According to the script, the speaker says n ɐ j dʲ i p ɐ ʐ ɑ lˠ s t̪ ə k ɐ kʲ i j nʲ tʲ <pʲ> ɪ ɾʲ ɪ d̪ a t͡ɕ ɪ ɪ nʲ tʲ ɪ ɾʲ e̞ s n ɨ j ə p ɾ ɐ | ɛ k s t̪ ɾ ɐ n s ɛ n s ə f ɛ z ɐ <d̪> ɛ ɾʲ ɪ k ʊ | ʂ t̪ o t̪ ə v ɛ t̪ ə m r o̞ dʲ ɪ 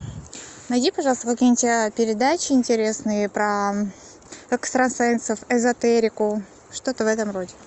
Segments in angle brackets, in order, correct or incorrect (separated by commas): correct, incorrect